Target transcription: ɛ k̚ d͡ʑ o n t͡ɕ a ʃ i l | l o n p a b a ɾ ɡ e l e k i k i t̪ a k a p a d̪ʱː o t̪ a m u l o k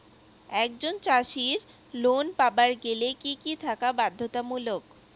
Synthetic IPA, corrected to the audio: ɛ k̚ d͡ʑ o n t͡ɕ a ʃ i ɾ | l o n p a b a ɾ ɡ e l e k i k i t̪ʰ a k a b a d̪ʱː o t̪ a m u l o k